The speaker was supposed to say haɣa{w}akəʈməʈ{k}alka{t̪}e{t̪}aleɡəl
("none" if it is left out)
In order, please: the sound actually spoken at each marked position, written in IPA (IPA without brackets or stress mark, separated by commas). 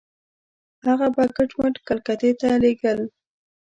b, k, t̪, t̪